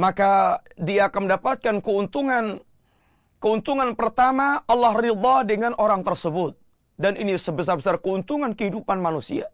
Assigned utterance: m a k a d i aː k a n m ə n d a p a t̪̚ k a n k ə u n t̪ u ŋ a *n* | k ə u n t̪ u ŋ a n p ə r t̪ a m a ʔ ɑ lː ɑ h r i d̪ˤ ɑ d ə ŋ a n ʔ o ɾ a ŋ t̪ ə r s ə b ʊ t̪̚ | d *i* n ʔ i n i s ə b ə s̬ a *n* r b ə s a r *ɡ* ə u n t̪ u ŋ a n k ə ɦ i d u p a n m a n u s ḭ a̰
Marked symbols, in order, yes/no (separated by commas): yes, no, no, no